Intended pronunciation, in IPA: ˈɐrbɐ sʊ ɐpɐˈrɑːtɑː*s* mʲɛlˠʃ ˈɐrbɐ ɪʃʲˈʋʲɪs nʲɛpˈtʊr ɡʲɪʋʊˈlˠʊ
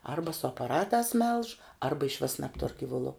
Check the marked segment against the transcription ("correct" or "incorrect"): correct